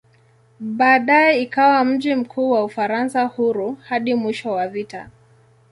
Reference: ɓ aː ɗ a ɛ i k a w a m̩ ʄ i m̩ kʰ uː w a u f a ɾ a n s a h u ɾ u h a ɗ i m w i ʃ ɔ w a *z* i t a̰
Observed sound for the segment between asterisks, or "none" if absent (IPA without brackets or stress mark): v